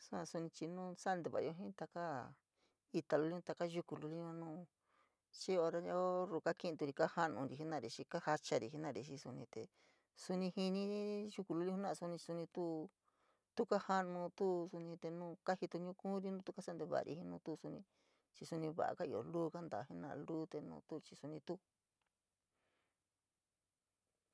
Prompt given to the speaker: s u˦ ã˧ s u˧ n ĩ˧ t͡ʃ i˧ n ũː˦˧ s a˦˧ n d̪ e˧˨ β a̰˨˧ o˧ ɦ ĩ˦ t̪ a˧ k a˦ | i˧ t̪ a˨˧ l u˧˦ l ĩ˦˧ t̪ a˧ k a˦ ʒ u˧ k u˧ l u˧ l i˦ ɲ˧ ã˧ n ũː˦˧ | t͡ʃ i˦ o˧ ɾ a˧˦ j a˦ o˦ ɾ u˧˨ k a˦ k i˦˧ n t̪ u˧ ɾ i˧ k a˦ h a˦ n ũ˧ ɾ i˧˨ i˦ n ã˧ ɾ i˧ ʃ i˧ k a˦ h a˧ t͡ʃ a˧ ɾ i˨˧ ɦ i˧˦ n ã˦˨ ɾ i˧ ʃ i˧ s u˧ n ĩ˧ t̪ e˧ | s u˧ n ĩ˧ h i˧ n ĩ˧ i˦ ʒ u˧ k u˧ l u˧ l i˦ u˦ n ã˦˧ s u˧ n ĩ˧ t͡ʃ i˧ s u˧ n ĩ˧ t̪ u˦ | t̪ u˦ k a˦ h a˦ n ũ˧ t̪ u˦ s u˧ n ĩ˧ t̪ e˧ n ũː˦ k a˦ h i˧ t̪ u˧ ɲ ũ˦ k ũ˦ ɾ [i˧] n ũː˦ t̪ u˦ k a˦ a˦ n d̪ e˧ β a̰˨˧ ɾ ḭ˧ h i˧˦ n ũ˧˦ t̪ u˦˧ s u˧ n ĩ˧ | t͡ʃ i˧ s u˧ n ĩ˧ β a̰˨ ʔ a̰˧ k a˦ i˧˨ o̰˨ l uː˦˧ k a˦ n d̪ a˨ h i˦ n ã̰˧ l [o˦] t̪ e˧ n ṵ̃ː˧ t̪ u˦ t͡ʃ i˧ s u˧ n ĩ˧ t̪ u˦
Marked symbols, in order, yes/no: yes, no

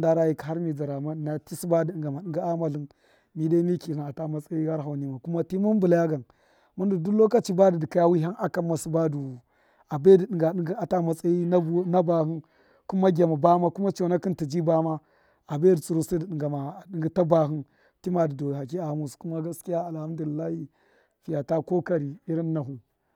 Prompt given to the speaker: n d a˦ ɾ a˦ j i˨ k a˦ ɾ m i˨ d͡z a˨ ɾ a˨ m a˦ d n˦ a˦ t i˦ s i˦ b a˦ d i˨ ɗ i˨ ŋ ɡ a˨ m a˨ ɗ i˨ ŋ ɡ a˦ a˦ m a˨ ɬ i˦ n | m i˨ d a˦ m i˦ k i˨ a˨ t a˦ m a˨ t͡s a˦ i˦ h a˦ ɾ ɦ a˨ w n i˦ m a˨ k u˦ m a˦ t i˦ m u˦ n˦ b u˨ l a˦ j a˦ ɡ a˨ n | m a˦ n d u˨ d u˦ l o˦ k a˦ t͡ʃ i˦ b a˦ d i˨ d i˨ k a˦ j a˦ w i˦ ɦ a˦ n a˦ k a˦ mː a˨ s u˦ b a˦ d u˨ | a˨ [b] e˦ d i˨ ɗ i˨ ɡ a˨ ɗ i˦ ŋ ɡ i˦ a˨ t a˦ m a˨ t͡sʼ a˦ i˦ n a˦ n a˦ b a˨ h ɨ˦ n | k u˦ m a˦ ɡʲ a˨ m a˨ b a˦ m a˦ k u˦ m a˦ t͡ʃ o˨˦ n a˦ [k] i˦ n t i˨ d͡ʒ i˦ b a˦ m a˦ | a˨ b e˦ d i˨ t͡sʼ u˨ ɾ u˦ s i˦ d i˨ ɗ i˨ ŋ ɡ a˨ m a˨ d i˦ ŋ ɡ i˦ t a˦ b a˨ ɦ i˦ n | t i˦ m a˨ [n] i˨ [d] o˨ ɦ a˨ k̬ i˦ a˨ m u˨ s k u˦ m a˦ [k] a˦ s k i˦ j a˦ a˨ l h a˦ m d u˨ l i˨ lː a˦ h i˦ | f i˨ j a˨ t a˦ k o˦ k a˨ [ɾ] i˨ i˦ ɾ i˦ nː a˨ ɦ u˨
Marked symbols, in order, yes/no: yes, yes, no, yes, no, yes

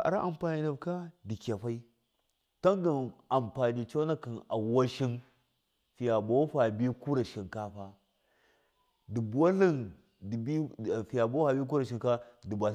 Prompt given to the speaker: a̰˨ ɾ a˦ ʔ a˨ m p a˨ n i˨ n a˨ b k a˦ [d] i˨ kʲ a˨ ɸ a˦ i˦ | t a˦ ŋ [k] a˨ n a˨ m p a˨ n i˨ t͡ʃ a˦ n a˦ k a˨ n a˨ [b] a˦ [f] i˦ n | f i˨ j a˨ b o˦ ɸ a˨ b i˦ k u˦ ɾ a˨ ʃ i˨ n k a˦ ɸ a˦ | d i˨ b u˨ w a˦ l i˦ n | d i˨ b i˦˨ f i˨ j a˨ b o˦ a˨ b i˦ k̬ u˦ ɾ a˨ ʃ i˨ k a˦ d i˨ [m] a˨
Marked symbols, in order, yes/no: yes, no, no, no, no

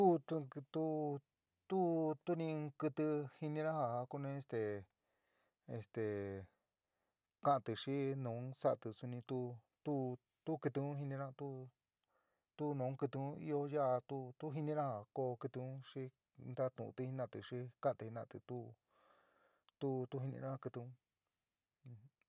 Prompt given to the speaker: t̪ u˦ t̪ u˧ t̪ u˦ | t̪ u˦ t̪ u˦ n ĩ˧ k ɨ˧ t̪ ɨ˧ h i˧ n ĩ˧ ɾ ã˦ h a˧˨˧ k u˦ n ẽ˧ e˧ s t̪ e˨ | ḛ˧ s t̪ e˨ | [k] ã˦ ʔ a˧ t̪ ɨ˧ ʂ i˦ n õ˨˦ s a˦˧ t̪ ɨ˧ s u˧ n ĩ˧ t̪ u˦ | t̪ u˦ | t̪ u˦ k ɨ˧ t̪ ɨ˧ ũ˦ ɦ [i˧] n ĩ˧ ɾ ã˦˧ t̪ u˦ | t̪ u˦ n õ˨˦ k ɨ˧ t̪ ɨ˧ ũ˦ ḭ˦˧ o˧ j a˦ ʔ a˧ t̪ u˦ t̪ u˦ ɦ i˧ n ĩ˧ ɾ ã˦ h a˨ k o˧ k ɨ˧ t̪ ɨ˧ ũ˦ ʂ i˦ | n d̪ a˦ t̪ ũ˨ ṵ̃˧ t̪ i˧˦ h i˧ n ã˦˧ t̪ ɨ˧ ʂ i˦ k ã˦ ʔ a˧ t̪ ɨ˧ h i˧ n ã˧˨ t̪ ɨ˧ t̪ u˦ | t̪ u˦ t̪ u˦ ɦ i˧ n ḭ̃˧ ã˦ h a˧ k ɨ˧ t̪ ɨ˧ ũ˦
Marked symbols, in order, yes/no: yes, yes

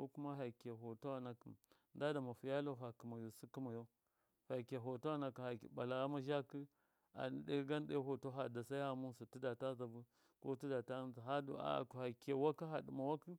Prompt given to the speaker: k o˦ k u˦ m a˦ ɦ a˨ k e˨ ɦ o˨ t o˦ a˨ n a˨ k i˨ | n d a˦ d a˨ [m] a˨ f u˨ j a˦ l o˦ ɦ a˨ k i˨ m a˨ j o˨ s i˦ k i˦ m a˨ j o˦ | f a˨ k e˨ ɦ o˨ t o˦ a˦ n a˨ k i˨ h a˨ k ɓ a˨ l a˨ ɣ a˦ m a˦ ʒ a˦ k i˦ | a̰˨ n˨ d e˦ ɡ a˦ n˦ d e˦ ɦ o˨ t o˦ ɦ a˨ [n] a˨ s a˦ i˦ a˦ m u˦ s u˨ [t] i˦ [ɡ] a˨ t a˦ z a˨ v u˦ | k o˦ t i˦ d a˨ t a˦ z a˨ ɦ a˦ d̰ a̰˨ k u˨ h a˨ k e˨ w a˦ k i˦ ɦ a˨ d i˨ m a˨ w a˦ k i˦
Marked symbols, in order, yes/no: yes, no, yes, no

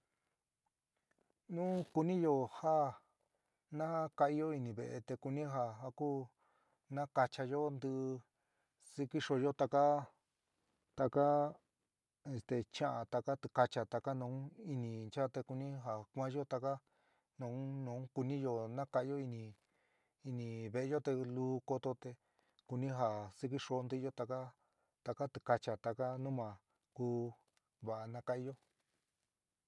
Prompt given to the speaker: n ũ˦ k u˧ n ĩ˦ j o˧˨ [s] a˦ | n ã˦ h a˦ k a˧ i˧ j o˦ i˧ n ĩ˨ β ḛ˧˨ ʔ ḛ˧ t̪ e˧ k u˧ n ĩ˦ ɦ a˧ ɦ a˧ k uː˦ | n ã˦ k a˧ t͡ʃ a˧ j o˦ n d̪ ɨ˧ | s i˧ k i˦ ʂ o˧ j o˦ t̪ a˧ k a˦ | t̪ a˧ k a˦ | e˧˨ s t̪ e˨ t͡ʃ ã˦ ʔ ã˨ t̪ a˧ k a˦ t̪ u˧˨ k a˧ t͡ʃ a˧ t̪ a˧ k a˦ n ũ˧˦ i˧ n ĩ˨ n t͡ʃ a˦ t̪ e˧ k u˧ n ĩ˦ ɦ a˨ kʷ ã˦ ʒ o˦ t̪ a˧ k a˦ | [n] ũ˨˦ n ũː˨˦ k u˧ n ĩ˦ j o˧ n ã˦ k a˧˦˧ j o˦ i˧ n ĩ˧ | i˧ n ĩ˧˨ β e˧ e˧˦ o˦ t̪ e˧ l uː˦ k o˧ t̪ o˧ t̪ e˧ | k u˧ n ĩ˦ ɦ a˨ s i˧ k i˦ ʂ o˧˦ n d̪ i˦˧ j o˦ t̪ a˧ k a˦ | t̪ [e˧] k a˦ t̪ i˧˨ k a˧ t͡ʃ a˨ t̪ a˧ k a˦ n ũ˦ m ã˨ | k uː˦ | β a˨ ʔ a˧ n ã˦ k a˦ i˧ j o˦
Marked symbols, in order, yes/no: no, yes, no

